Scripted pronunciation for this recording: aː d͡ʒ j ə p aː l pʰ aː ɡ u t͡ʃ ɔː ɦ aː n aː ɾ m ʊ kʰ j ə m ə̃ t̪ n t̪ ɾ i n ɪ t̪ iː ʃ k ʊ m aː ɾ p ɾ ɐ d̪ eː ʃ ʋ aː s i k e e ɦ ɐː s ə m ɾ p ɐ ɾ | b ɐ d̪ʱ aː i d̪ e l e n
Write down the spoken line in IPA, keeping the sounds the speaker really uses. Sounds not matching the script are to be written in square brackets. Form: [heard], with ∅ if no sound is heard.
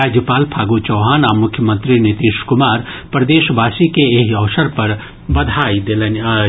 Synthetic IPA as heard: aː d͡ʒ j ə p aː l pʰ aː ɡ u t͡ʃ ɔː ɦ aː n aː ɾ m ʊ kʰ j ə m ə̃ [∅] n t̪ ɾ i n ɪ t̪ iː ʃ k ʊ m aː ɾ p ɾ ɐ d̪ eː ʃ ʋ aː s i k e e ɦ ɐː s ə [∅] ɾ p ɐ ɾ | b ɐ d̪ʱ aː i d̪ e l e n